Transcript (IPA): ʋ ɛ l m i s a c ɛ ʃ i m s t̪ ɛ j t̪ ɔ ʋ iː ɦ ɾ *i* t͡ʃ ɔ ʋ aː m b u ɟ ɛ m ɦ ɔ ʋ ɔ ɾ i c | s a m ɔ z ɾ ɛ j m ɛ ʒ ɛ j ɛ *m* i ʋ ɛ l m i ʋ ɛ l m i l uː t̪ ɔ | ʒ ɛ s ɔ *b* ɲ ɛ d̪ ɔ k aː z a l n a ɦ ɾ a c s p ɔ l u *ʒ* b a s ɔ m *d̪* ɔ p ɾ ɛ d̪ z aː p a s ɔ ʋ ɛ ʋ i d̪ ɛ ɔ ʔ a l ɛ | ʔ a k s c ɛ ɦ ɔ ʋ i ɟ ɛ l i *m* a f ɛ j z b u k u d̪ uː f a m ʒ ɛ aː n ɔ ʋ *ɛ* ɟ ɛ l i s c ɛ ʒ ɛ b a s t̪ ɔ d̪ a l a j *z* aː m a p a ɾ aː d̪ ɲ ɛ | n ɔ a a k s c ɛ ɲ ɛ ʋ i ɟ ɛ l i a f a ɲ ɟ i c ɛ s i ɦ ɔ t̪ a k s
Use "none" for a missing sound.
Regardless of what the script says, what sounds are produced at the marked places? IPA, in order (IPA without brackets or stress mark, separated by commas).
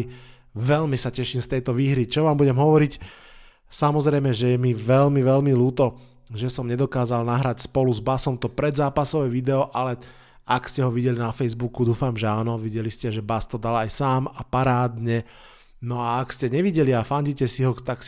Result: i, m, m, z, t̪, n, i, s